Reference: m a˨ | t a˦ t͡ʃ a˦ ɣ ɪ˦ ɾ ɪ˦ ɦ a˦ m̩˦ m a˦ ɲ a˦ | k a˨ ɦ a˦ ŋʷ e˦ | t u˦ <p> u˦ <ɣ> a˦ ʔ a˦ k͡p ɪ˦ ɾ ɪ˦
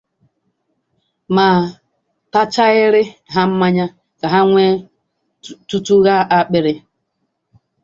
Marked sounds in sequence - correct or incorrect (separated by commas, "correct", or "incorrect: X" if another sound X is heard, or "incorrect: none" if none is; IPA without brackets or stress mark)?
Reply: incorrect: t, correct